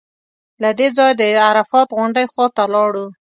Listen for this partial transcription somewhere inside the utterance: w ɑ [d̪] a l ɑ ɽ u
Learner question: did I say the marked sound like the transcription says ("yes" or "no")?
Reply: no